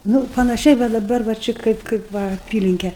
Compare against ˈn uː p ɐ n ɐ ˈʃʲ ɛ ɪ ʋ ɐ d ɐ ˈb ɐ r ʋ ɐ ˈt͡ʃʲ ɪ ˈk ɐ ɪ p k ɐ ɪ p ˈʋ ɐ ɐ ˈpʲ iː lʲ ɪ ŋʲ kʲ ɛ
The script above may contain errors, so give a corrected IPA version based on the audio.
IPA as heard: ˈn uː p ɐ n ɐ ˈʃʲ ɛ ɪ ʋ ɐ d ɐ ˈb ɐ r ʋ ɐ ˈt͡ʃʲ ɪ ˈk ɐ ɪ p k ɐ ɪ p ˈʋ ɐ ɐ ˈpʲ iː lʲ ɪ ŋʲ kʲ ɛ